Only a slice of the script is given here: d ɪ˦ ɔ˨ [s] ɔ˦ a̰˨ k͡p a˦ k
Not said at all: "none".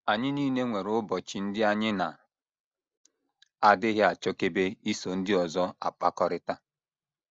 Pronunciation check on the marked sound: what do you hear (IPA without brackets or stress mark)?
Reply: z